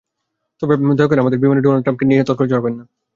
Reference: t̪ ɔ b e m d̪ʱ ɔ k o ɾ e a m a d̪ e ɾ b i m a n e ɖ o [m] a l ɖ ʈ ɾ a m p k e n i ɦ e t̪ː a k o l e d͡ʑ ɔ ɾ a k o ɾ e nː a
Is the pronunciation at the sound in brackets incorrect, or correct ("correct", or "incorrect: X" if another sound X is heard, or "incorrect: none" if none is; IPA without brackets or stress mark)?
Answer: incorrect: n